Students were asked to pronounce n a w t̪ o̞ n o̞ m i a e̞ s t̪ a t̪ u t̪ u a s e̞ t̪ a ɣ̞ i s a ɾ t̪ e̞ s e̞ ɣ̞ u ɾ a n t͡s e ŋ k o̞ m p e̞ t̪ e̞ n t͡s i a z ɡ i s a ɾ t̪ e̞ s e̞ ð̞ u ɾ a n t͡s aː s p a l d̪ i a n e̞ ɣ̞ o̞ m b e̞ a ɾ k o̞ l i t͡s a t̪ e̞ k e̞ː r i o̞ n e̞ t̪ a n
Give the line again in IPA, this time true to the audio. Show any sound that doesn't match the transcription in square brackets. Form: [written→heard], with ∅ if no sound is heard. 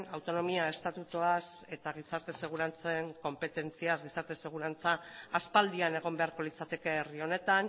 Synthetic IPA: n a w t̪ o̞ n o̞ m i a e̞ s t̪ a t̪ u t̪ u a s e̞ t̪ a ɣ̞ i s a ɾ t̪ e̞ s e̞ ɣ̞ u ɾ a n t͡s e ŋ k o̞ m p e̞ t̪ e̞ n t͡s i a z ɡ i s a ɾ t̪ e̞ s e̞ [ð̞→ɣ̞] u ɾ a n t͡s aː s p a l d̪ i a n e̞ ɣ̞ o̞ m b e̞ a ɾ k o̞ l i t͡s a t̪ e̞ k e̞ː r i o̞ n e̞ t̪ a n